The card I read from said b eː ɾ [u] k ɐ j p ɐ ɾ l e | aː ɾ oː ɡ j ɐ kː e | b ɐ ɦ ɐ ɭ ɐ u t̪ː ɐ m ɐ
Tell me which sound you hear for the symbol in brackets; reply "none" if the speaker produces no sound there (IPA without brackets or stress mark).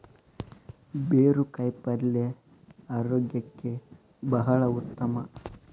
u